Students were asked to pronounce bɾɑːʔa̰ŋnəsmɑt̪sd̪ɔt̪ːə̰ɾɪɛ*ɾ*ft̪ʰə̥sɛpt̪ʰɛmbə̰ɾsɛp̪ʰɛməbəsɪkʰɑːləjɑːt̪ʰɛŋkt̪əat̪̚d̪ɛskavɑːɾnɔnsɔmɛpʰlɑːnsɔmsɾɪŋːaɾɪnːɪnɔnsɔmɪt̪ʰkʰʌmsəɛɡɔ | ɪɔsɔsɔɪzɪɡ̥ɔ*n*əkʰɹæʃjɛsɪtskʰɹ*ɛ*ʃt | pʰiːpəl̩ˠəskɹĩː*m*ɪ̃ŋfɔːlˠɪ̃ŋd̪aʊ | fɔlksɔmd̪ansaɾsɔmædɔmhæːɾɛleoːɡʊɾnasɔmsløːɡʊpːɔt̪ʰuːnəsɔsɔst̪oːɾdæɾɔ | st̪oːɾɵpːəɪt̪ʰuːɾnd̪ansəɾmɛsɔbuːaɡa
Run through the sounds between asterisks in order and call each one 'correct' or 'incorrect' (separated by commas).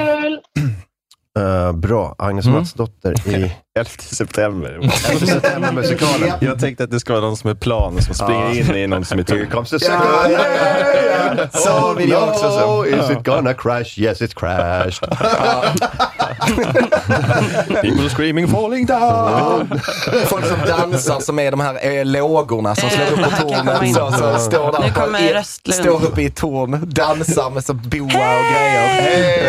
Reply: incorrect, correct, incorrect, correct